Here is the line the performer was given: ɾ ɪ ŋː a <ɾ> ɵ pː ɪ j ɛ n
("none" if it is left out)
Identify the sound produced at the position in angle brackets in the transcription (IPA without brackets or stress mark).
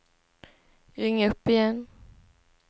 none